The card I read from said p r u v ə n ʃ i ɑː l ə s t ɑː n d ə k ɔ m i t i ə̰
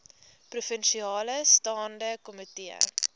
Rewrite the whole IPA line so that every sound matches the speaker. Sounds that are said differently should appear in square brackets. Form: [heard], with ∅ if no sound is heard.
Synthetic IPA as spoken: p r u [f] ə n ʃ i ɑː l ə s t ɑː n d ə k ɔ m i t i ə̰